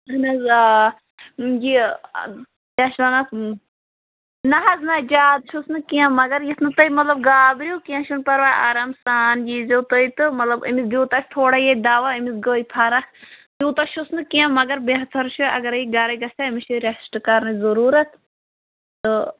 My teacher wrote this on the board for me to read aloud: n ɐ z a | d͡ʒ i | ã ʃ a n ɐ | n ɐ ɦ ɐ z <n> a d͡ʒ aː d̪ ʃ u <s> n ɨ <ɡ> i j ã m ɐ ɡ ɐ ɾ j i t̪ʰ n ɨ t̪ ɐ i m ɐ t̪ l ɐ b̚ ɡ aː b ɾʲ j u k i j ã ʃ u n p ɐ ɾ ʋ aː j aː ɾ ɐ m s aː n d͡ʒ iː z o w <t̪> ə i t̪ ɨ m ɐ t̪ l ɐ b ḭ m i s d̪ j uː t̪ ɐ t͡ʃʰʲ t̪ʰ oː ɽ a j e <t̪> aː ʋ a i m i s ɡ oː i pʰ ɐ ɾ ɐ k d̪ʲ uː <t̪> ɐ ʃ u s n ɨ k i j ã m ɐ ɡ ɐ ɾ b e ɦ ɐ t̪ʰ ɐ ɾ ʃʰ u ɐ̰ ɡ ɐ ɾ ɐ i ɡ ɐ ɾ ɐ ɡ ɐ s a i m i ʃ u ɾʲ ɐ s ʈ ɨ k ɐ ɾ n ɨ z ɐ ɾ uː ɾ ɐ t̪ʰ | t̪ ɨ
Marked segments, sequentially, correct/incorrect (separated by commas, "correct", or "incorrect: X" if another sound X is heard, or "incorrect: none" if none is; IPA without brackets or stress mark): correct, correct, incorrect: k, correct, incorrect: d̪, correct